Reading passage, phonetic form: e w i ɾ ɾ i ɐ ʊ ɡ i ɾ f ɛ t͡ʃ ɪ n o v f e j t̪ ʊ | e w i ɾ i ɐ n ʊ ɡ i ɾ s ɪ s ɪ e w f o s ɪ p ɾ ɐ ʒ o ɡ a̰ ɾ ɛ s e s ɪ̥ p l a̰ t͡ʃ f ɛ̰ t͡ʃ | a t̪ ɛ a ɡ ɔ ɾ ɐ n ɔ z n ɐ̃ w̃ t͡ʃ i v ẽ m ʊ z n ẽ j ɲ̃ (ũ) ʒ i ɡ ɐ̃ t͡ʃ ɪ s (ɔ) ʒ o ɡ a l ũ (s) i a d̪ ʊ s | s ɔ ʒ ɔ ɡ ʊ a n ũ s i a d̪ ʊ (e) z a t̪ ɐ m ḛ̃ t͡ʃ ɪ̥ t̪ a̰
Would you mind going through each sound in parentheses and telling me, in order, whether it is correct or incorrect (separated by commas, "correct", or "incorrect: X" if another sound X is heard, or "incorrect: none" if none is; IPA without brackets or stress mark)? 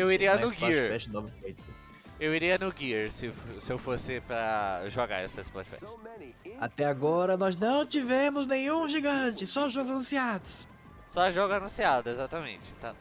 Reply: correct, correct, correct, correct